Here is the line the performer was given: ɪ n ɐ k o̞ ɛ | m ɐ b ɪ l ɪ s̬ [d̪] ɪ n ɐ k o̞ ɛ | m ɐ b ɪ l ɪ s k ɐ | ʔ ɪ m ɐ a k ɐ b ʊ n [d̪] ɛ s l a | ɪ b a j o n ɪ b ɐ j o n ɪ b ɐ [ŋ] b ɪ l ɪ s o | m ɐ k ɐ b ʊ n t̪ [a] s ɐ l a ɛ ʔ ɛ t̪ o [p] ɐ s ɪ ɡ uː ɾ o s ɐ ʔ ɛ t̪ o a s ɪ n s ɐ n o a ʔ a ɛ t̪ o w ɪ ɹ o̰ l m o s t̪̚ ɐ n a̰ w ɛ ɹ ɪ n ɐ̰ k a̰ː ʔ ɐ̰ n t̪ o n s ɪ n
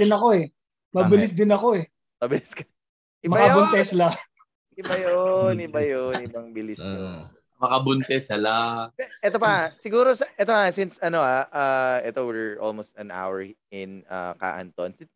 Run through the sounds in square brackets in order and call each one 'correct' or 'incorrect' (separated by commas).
correct, incorrect, correct, incorrect, correct